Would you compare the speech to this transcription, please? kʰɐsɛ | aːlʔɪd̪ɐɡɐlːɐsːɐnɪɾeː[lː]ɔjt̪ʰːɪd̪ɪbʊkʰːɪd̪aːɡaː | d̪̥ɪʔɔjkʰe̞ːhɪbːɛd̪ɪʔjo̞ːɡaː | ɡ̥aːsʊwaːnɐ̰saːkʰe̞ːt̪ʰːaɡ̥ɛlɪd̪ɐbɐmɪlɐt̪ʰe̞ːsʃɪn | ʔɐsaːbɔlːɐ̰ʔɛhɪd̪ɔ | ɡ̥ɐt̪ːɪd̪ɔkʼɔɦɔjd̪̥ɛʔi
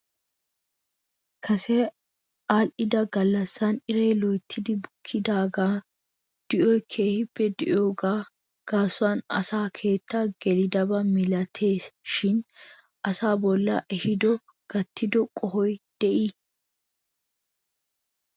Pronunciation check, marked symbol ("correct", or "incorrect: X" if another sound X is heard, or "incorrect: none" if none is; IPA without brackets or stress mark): incorrect: l